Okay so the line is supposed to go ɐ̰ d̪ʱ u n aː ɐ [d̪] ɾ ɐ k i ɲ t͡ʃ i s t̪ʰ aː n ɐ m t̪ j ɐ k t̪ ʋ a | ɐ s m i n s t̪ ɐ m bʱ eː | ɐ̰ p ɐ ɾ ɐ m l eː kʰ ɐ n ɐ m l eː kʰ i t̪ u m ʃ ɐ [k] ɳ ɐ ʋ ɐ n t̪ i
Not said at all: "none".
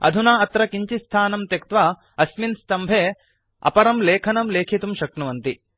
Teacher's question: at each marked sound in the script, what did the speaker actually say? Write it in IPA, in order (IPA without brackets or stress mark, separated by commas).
t̪, k